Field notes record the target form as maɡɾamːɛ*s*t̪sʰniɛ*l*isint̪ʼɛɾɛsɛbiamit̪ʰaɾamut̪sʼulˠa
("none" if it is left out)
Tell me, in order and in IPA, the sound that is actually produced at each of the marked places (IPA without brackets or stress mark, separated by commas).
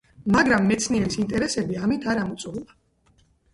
none, ɾ